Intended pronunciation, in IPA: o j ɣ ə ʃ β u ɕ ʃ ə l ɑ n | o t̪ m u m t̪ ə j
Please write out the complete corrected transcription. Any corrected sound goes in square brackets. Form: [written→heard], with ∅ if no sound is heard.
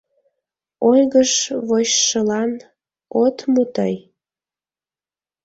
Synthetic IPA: o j ɣ ə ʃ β [u→o] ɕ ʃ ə l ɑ n | o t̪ m u [m→∅] t̪ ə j